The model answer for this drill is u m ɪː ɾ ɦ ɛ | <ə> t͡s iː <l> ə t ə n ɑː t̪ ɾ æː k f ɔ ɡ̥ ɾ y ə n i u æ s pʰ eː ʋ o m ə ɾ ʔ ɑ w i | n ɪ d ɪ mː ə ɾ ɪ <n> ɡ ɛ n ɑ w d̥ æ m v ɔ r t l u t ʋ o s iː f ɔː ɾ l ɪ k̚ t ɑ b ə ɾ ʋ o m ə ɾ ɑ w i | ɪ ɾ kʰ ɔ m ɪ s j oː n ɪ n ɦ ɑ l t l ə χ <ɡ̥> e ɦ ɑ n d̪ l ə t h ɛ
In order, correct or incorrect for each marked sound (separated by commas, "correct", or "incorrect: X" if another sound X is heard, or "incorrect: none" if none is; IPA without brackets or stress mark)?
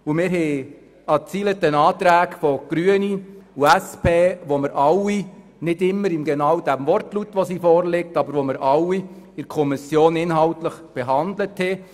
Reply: incorrect: ɑ, correct, incorrect: m, incorrect: b̥